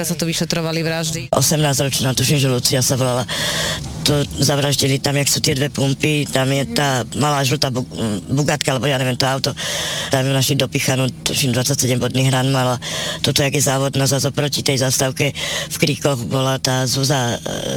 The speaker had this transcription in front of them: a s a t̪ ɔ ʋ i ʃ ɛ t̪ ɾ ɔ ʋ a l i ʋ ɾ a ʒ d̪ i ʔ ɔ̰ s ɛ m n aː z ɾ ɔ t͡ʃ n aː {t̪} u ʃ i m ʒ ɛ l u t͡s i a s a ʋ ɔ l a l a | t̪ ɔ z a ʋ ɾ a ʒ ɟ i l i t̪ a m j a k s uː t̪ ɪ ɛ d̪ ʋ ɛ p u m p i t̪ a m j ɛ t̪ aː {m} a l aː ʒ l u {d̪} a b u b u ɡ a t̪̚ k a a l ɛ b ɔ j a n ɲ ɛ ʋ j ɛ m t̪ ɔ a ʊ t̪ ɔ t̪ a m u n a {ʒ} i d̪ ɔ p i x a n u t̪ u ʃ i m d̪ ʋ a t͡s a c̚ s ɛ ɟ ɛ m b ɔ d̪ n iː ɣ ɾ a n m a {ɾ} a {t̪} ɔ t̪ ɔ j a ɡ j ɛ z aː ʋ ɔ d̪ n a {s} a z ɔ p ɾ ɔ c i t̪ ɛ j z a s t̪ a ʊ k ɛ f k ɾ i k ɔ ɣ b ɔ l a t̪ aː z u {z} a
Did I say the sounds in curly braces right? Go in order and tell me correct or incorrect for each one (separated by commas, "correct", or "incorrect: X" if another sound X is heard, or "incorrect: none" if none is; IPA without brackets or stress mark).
correct, correct, incorrect: t̪, incorrect: ʃ, incorrect: l, correct, incorrect: z, correct